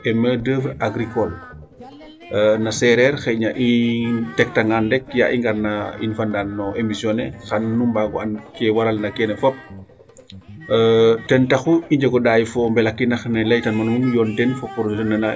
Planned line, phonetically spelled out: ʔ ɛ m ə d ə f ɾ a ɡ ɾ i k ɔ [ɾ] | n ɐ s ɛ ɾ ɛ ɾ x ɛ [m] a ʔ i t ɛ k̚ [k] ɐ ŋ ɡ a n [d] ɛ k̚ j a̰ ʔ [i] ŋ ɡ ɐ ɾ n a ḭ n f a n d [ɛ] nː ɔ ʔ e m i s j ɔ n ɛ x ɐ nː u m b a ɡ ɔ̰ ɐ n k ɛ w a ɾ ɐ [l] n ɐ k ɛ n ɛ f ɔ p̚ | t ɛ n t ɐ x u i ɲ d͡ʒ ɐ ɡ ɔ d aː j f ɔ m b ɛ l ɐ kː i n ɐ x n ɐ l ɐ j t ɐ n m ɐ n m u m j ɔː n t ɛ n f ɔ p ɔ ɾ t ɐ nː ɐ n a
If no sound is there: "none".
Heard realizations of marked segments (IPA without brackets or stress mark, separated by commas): l, ɲ, t, d, i, a, l